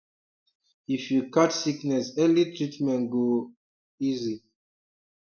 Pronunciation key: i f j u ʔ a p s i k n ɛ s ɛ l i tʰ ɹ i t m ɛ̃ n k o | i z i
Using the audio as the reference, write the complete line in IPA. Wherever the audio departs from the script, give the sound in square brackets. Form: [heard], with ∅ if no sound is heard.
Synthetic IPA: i f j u [k] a [t] s i k n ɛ s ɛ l i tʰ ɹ i t m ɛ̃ n [ɡ] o | i z i